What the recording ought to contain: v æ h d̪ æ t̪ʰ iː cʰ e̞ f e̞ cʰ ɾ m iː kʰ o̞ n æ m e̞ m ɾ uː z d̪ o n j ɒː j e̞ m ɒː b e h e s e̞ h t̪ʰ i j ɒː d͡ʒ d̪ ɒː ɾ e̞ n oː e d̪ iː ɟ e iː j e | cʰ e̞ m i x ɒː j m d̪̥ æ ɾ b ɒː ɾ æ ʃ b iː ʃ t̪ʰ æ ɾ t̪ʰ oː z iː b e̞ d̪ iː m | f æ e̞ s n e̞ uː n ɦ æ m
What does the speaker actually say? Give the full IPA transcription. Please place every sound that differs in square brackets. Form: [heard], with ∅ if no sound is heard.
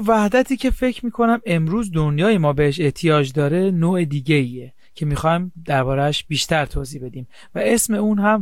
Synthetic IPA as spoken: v æ h d̪ æ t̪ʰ iː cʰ e̞ f e̞ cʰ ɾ m iː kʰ o̞ n æ m e̞ m ɾ uː z d̪ o n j ɒː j e̞ m ɒː b e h e [ʃ] e̞ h t̪ʰ i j ɒː d͡ʒ d̪ ɒː ɾ e̞ n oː e d̪ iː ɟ e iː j e | cʰ e̞ m i x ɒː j m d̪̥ æ ɾ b ɒː ɾ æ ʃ b iː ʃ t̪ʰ æ ɾ t̪ʰ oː z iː b e̞ d̪ iː m | [v] æ e̞ s [m] e̞ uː n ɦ æ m